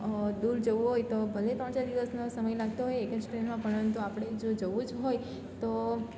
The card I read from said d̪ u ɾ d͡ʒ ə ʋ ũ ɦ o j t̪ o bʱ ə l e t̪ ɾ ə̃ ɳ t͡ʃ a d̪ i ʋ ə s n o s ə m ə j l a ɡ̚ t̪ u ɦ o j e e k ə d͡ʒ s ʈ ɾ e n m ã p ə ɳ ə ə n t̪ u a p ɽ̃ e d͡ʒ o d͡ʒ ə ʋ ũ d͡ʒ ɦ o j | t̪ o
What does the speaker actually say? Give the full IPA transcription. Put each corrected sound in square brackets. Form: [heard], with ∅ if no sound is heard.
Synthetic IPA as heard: d̪ u ɾ d͡ʒ ə ʋ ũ ɦ o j t̪ o bʱ ə l e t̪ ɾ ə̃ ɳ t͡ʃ a d̪ i ʋ ə s n o s ə m ə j l a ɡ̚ t̪ [o] ɦ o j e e k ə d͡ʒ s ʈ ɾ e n m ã p ə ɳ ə ə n t̪ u a p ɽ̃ e d͡ʒ o d͡ʒ ə ʋ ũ d͡ʒ ɦ o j | t̪ o

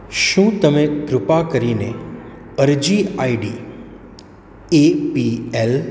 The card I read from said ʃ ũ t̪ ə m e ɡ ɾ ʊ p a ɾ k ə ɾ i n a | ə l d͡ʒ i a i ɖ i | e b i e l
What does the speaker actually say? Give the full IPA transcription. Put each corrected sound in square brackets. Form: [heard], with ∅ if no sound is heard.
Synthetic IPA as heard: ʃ ũ t̪ ə m e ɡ ɾ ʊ p a [∅] k ə ɾ i n [e] | ə [ɾ] d͡ʒ i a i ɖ i | e [p] i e l

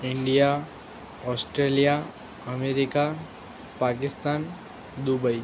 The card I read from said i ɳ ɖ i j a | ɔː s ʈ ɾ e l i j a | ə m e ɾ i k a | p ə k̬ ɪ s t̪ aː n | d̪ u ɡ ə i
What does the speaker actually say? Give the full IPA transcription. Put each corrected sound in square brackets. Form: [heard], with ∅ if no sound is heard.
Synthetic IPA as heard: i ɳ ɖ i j a | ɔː s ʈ ɾ e l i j a | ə m e ɾ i k a | p [a] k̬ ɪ s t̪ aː n | d̪ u [b] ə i

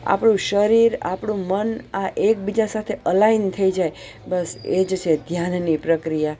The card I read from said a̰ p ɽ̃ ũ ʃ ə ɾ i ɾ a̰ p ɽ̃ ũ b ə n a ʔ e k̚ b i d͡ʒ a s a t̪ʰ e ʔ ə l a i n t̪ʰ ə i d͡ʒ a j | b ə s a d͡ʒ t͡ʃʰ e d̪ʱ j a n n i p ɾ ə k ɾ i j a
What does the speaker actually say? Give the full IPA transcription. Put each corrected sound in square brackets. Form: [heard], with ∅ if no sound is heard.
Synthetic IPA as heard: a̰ p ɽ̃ ũ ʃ ə ɾ i ɾ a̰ p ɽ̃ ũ [m] ə n a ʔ e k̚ b i d͡ʒ a s a t̪ʰ e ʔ ə l a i n t̪ʰ ə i d͡ʒ a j | b ə s [e] d͡ʒ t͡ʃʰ e d̪ʱ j a n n i p ɾ ə k ɾ i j a

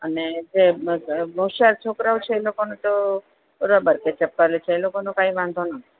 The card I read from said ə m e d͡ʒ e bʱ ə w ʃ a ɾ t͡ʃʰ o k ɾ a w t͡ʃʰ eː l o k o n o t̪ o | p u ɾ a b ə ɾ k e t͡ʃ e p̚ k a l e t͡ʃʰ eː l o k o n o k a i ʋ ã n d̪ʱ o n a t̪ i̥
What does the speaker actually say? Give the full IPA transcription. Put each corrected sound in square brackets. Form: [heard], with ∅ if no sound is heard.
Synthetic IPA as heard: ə [n] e d͡ʒ e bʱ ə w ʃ a ɾ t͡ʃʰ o k ɾ a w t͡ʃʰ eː l o k o n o t̪ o | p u ɾ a b ə ɾ k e t͡ʃ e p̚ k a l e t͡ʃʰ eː l o k o n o k a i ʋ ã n d̪ʱ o n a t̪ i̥

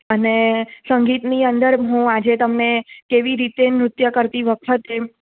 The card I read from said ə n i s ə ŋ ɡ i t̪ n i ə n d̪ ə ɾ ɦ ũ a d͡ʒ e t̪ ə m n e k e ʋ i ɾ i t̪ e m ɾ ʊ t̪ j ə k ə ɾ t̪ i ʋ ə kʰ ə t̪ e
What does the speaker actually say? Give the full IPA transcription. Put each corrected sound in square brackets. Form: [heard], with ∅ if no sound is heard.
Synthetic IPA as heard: ə n [e] s ə ŋ ɡ i t̪ n i ə n d̪ ə ɾ ɦ ũ a d͡ʒ e t̪ ə m n e k e ʋ i ɾ i t̪ e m ɾ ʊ t̪ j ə k ə ɾ t̪ i ʋ ə kʰ ə t̪ e

